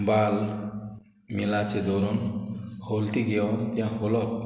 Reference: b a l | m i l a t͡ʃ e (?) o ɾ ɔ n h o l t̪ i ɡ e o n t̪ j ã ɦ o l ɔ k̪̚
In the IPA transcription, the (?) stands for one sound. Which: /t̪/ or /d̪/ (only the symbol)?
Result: d̪